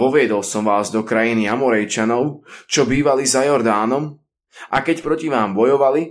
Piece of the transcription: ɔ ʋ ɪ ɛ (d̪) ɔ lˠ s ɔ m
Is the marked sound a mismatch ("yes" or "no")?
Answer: no